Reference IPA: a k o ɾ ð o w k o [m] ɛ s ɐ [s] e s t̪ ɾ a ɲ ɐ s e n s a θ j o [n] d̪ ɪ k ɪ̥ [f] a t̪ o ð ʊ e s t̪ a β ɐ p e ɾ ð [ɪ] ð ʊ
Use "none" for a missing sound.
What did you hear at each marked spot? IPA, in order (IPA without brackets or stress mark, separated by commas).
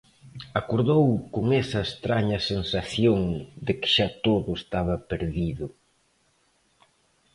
ŋ, none, ŋ, ʃ, i